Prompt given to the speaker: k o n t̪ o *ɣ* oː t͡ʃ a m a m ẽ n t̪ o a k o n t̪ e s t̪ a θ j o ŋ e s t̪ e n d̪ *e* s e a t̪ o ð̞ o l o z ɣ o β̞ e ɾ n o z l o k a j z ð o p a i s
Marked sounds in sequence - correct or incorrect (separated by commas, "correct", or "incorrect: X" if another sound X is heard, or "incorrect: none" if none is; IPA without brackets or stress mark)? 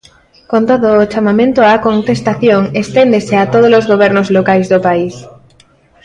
incorrect: ð, correct